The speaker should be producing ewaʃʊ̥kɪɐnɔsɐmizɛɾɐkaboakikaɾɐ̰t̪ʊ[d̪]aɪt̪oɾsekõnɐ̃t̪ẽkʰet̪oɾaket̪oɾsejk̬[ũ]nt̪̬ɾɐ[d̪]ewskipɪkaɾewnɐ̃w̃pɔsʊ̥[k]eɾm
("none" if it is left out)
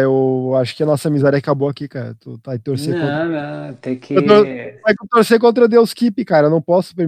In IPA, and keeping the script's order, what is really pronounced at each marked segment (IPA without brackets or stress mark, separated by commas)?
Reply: t̪, õ, d̪, p